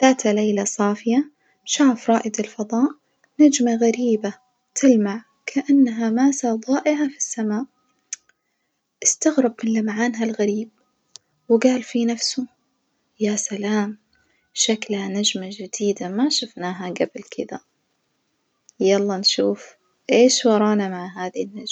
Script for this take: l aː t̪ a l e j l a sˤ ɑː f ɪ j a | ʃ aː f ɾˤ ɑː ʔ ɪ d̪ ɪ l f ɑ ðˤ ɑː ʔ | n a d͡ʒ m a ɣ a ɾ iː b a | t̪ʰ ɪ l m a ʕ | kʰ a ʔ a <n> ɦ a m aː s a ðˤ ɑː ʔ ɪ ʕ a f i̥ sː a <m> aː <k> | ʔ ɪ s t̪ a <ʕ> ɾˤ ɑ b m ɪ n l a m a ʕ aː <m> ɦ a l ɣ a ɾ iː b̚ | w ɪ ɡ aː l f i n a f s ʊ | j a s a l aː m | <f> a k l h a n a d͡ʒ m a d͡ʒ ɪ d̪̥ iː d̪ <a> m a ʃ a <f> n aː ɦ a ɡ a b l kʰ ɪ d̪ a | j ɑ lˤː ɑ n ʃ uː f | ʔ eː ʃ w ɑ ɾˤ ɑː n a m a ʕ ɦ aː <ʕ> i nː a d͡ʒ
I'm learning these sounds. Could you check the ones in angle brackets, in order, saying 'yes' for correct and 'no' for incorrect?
no, yes, no, no, no, no, yes, yes, no

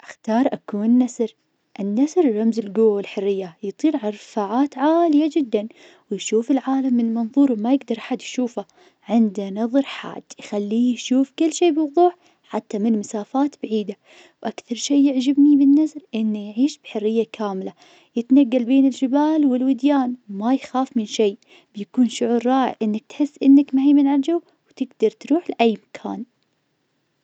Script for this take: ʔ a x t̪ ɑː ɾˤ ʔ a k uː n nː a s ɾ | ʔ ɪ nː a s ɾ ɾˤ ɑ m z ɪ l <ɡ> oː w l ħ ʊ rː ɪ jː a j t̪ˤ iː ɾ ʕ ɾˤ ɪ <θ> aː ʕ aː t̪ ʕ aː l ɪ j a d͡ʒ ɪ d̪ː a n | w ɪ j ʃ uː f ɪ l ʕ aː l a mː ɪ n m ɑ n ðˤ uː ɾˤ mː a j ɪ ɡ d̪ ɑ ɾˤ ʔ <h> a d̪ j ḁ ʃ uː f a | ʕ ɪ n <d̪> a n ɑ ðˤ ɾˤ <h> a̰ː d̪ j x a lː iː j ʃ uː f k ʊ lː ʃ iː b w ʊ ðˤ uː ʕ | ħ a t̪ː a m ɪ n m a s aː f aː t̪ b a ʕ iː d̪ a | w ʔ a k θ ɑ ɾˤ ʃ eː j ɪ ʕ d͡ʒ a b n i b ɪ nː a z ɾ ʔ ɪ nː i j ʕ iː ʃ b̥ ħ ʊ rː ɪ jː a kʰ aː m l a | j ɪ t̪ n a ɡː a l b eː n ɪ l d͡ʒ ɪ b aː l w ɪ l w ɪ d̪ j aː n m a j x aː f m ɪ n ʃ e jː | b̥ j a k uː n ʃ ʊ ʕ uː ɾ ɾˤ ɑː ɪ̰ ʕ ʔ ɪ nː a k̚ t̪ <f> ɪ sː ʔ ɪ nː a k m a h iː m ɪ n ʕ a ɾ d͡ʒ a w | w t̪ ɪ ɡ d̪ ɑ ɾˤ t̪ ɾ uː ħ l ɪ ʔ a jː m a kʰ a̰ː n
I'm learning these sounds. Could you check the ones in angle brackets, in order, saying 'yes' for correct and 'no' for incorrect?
yes, no, no, yes, no, no

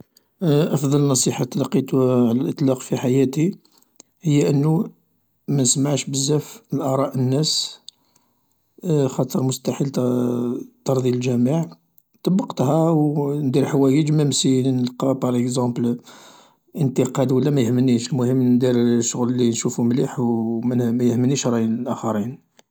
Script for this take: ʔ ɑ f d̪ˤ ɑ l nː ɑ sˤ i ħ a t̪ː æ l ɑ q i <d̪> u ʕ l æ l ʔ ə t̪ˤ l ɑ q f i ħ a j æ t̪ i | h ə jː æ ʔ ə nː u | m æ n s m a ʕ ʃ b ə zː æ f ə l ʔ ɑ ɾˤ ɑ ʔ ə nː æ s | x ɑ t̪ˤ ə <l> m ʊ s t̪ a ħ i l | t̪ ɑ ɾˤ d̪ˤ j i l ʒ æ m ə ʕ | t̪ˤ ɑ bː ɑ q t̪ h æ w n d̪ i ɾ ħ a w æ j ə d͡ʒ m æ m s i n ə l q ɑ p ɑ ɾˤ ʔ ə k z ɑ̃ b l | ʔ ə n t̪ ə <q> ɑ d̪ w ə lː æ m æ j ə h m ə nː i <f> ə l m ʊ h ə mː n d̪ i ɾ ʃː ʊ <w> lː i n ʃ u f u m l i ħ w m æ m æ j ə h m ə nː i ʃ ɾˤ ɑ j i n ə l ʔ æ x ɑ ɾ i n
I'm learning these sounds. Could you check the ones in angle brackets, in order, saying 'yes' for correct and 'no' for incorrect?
no, no, yes, no, no

